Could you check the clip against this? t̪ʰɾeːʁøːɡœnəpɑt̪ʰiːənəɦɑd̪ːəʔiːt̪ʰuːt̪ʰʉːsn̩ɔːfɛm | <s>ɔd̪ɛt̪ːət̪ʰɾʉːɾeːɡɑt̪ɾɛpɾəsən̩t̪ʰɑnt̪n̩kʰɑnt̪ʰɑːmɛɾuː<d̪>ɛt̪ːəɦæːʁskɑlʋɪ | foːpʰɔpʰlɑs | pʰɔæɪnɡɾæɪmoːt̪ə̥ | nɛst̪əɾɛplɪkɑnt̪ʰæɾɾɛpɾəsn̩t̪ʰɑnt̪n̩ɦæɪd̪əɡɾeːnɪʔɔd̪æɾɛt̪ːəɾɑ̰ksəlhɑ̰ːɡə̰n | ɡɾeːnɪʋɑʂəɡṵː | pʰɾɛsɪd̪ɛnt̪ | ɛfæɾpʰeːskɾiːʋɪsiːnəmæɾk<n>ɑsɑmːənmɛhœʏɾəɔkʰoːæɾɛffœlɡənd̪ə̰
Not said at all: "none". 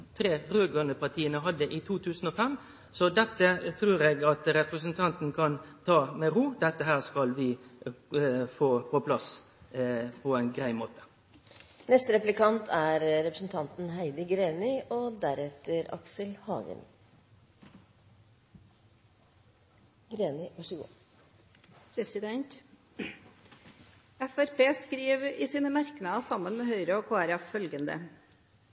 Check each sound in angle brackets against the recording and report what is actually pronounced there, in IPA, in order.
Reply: s, d̪, n

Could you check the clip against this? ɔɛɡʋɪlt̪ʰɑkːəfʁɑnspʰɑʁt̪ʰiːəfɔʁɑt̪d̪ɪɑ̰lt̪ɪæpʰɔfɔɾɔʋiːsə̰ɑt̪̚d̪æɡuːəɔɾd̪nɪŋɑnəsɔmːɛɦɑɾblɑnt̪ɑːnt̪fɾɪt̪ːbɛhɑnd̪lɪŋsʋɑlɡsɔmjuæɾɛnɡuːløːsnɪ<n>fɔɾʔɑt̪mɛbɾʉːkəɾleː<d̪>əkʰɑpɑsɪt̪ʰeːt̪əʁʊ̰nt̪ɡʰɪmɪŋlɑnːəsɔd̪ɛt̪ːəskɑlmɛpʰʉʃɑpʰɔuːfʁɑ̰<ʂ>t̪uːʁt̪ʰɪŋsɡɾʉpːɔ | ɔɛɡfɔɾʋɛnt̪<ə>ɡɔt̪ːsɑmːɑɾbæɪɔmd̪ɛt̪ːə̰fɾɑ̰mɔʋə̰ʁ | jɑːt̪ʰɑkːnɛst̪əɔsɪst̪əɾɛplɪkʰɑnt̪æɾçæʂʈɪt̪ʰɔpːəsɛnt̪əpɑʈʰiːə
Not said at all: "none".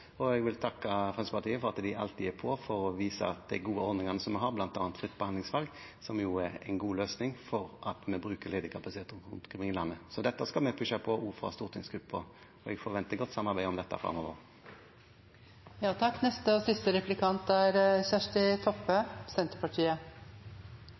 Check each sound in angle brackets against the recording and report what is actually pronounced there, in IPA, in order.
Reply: ŋ, d̪, s, ə

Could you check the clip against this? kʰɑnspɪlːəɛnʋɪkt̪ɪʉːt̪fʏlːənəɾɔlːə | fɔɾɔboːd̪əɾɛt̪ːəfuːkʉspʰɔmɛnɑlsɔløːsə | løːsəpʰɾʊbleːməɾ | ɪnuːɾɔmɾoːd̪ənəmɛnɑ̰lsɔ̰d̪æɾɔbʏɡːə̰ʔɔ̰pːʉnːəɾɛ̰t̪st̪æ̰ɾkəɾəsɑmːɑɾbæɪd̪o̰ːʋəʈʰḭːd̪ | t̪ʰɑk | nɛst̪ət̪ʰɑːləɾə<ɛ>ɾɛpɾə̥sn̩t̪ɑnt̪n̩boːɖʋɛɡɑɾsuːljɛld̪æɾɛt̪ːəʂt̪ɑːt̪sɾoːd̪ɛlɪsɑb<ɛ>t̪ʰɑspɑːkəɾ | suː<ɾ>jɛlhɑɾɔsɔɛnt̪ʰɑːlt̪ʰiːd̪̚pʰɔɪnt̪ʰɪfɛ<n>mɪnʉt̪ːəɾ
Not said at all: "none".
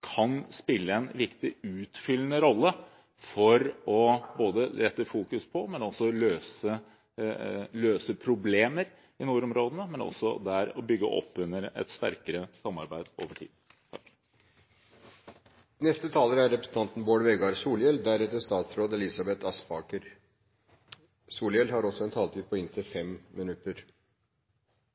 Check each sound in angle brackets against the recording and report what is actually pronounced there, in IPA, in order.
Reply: æ, ɛ, l, m

